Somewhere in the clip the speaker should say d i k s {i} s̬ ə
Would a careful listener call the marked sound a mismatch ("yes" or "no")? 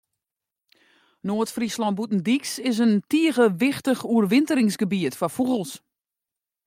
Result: yes